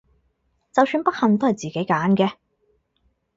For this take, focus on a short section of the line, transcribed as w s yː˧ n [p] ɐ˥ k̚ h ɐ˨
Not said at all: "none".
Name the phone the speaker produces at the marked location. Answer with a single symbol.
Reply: p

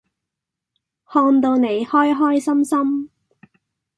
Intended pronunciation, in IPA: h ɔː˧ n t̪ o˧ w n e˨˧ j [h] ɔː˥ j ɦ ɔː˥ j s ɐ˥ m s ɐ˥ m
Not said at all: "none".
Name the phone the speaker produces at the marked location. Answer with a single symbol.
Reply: h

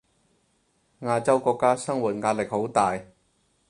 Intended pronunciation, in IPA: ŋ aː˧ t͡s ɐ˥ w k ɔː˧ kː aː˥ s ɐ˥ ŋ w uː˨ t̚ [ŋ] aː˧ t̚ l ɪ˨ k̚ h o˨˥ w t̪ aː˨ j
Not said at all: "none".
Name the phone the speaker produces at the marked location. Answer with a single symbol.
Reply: ŋ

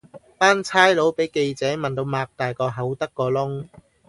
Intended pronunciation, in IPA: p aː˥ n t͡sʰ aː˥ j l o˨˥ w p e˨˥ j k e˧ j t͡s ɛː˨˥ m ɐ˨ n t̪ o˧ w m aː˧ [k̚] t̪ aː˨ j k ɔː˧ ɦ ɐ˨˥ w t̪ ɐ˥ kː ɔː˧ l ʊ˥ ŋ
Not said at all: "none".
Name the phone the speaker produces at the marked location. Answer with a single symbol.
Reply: k̚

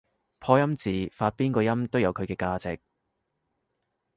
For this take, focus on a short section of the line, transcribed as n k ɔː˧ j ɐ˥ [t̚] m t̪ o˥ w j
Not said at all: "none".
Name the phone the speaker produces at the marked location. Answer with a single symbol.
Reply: none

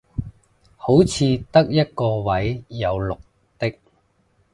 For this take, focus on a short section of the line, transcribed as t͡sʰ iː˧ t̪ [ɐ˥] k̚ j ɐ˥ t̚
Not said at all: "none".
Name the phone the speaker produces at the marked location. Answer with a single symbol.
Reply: ɐ˥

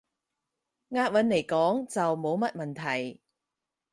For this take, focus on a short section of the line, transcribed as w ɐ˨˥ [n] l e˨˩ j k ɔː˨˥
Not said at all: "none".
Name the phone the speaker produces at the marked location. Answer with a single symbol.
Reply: n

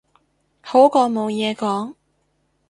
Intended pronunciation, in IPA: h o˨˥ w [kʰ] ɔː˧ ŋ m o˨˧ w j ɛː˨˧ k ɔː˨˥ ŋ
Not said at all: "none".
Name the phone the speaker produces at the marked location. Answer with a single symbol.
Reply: k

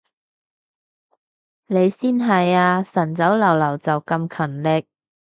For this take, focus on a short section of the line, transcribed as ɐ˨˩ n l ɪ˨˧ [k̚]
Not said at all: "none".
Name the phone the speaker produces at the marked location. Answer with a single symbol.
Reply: k̚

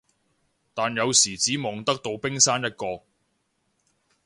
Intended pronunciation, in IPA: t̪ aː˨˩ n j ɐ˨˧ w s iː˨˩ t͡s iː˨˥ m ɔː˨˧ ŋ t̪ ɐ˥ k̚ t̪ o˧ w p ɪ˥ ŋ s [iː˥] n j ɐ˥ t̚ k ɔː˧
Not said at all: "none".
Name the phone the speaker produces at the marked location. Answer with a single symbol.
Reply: aː˥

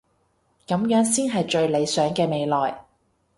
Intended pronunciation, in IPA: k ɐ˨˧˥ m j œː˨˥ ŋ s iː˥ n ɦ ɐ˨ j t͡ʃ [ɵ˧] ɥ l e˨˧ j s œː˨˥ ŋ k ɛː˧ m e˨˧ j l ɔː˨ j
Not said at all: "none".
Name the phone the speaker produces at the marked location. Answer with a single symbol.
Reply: ɵ˧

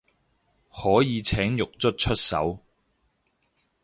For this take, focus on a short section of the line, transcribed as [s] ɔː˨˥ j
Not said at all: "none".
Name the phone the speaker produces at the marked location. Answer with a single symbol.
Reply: h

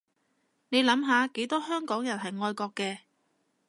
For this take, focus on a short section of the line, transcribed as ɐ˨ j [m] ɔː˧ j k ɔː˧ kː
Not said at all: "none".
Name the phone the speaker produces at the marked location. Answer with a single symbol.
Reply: ŋ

